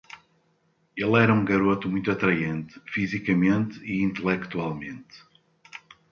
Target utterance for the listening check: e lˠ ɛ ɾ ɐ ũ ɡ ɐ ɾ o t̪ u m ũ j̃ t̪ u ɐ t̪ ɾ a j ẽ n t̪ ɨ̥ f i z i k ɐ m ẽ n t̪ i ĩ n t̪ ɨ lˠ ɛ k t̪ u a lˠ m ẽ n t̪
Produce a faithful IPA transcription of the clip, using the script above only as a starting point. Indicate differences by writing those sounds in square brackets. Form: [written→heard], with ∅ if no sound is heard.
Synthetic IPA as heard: e lˠ ɛ ɾ ɐ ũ ɡ ɐ ɾ o t̪ u m ũ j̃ t̪ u ɐ t̪ ɾ [a→ɐ] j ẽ n t̪ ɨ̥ f i z i k ɐ m ẽ n t̪ i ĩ n t̪ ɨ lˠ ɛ k t̪ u a lˠ m ẽ n t̪